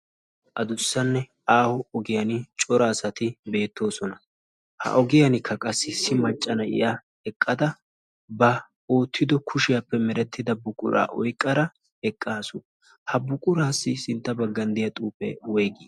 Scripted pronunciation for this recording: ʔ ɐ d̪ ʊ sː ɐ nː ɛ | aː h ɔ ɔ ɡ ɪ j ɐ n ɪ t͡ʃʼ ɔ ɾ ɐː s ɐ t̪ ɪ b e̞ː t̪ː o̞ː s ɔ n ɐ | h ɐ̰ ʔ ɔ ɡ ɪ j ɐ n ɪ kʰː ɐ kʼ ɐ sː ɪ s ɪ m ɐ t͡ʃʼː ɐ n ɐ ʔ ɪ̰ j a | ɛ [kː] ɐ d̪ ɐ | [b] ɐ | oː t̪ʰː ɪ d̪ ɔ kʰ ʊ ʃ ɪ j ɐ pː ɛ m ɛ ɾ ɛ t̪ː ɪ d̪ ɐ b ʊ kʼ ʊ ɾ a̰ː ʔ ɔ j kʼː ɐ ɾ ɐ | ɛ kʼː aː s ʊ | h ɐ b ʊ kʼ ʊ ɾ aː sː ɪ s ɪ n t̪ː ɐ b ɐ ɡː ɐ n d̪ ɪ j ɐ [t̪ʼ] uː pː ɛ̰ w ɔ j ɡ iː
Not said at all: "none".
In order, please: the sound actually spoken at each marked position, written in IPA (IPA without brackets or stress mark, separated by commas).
kʼː, b, t̪ʼ